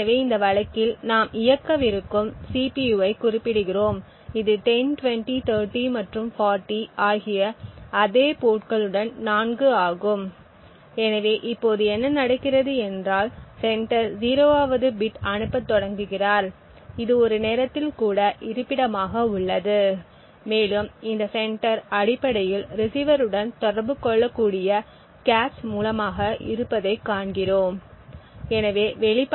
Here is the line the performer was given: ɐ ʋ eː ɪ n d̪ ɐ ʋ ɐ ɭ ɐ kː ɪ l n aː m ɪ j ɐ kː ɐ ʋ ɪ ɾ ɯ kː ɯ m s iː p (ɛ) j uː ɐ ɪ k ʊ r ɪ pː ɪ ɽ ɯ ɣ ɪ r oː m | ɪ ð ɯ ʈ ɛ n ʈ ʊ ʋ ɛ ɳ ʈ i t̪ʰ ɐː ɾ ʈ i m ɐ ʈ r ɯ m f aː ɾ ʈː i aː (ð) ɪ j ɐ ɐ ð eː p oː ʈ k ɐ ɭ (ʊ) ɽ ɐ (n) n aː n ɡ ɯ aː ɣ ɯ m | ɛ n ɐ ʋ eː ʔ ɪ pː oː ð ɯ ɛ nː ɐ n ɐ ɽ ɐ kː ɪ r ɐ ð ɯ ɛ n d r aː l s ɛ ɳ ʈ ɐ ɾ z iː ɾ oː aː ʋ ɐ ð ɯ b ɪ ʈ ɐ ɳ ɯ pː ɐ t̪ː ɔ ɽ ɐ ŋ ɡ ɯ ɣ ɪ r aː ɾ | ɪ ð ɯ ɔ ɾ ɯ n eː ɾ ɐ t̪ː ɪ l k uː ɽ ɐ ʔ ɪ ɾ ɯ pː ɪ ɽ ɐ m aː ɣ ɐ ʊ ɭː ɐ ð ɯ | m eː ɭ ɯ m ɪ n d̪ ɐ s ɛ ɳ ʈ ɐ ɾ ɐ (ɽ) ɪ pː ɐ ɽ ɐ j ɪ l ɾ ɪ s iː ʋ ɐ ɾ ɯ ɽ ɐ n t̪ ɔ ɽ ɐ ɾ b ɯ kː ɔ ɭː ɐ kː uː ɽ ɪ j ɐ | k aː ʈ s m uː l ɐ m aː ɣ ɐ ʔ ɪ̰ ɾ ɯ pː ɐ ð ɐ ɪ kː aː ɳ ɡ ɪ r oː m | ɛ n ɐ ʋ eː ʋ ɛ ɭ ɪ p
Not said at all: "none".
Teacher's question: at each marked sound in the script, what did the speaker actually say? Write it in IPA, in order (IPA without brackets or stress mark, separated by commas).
i, ɣ, ɯ, n, ɽ